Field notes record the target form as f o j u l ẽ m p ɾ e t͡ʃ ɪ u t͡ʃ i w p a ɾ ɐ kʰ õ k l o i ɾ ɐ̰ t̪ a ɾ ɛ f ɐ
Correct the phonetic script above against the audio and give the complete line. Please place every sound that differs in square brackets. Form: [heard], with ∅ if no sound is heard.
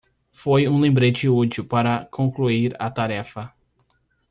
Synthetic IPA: f o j [ũ] l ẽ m [b] ɾ e t͡ʃ ɪ u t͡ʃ i w p a ɾ ɐ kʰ õ k l [u] i ɾ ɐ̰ t̪ a ɾ ɛ f ɐ